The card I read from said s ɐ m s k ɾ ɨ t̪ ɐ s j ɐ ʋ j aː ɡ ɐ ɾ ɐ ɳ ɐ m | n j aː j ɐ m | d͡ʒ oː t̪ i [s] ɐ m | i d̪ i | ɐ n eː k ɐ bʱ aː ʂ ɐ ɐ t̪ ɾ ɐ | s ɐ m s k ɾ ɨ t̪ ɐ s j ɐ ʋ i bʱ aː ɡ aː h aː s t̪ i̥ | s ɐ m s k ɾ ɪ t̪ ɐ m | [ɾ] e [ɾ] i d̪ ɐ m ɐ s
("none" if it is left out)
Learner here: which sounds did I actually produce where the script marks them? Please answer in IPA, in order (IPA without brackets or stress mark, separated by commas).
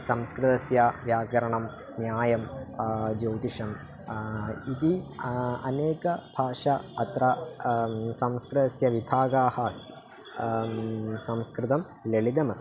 ʂ, l, ɭ